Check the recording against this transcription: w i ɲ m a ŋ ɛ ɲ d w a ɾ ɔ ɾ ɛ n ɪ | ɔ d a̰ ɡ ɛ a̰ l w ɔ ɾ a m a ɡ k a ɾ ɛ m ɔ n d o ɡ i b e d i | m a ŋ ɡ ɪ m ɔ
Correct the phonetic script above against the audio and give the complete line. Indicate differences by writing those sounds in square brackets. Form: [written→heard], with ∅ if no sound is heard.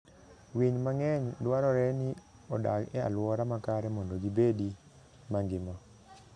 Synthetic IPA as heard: w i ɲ m a ŋ ɛ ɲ d w a ɾ ɔ ɾ ɛ n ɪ | ɔ d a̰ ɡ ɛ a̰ l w ɔ ɾ a m a [ɡ→∅] k a ɾ ɛ m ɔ n d o ɡ i b e d i | m a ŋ ɡ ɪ m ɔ